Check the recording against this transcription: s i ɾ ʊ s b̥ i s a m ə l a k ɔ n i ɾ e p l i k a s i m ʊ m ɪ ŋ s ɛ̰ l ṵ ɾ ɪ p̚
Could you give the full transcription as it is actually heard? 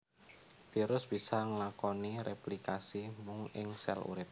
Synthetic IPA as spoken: f i ɾ ʊ s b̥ i s a ŋ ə l a k ɔ n i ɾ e p l i k a s i m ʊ ŋ ɪ ŋ s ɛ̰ l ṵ ɾ ɪ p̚

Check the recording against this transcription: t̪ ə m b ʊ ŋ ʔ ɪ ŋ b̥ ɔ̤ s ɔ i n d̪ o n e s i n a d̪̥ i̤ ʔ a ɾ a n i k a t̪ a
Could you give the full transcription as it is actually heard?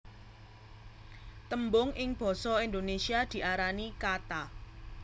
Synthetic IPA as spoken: t̪ ə m b ʊ ŋ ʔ ɪ ŋ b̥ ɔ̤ s ɔ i n d̪ o n e s i a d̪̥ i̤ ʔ a ɾ a n i k a t̪ a

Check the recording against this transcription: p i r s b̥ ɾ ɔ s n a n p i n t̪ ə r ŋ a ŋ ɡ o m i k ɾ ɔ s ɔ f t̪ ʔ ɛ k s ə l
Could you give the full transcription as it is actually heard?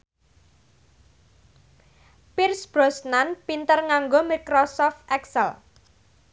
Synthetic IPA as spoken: p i r s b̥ ɾ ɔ s n a n p i n t̪ ə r ŋ a ŋ ɡ o m i k ɾ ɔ s ɔ f t̪ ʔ ɛ k s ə l

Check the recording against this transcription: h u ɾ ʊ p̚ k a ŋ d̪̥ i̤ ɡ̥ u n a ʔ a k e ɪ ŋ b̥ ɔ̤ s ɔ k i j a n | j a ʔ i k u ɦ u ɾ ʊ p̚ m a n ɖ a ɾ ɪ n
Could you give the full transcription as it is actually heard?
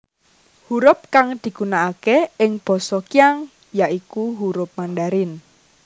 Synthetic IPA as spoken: h u ɾ ʊ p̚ k a ŋ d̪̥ i̤ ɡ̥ u n a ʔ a k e ɪ ŋ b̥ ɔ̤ s ɔ k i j a ŋ | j a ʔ i k u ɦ u ɾ ʊ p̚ m a n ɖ a ɾ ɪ n

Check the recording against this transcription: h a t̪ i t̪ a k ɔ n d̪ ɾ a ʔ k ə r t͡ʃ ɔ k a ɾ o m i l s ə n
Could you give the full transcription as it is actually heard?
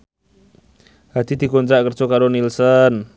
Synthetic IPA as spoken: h a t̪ i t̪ i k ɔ n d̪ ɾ a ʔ k ə r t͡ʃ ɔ k a ɾ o n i l s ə n

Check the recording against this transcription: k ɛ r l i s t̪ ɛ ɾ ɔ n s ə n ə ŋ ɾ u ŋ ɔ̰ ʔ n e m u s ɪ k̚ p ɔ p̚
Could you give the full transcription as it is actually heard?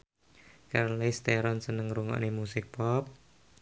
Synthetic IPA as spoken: k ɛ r l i s t̪ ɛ ɾ ɔ n s ə n ə ŋ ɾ u ŋ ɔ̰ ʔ n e m u s ɪ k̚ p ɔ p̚

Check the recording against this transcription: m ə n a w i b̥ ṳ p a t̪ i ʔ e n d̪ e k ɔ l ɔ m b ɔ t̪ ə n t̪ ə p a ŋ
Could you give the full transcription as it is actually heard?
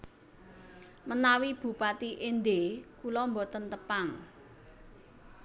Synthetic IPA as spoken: m ə n a w i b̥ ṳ p a t̪ i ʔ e n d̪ e k u l ɔ m b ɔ t̪ ə n t̪ ə p a ŋ

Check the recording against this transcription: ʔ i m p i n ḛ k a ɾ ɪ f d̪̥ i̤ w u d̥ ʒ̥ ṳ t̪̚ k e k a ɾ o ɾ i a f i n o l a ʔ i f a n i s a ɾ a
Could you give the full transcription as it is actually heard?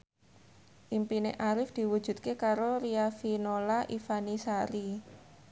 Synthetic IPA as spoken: ʔ i m p i n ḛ ʔ a ɾ ɪ f d̪̥ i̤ w u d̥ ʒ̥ ṳ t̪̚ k e k a ɾ o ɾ i a f i n o l a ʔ i f a n i s a ɾ i

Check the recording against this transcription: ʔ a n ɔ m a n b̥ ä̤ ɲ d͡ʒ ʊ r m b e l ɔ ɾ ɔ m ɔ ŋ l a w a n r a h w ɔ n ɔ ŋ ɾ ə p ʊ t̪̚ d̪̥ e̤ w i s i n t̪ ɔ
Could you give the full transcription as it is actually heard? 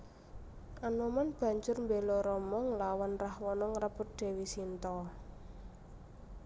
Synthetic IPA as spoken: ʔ a n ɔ m a n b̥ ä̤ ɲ d͡ʒ ʊ r m b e l ɔ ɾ ɔ m ɔ ŋ l a w a n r a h w ɔ n ɔ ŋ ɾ ə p ʊ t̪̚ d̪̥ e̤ w i s i n t̪ ɔ

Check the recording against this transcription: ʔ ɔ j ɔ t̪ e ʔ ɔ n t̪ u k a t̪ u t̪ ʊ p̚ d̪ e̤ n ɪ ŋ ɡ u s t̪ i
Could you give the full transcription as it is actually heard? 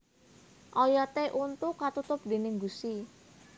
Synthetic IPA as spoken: ʔ ɔ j ɔ t̪ e ʔ u n t̪ u k a t̪ u t̪ ʊ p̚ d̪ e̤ n ɪ ŋ ɡ u s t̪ i

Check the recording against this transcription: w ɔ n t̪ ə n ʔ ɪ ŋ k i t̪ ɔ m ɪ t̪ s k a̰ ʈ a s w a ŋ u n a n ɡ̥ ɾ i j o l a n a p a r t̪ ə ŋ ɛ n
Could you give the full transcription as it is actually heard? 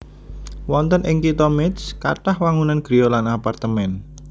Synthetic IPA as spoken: w ɔ n t̪ ə n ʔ ɪ ŋ k i t̪ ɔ m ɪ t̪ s k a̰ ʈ a h w a ŋ u n a n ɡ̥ ɾ i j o l a n a p a r t̪ ə m ɛ n

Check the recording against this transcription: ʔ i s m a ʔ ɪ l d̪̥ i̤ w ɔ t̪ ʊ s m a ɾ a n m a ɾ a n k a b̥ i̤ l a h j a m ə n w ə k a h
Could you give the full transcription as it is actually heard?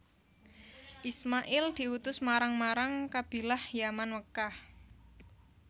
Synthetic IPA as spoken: ʔ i s m a ʔ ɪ l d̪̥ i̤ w u t̪ ʊ s m a ɾ a ŋ m a ɾ a ŋ k a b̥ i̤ l a h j a m a n w ə k a h

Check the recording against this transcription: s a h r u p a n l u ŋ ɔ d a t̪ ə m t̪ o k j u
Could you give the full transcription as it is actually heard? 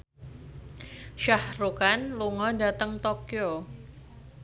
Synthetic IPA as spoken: ʃ a h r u k a n l u ŋ ɔ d a t̪ ə ŋ t̪ o k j o

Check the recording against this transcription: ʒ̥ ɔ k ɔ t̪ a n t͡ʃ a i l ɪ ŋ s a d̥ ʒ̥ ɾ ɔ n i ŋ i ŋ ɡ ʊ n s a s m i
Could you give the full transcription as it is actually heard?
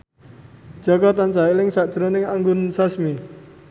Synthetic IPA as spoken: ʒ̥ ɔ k ɔ t̪ a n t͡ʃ a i l ɪ ŋ s a d̥ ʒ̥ ɾ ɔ n ɪ ŋ a ŋ ɡ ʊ n s a s m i

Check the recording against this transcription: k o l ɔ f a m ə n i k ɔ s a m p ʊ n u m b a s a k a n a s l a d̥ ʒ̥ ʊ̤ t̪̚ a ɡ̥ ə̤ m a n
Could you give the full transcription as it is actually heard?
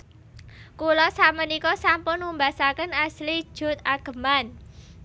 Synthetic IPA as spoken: k u l ɔ s a m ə n i k ɔ s a m p ʊ n u m b a s a k ə n a s l i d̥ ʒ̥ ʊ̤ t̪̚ a ɡ̥ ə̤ m a n

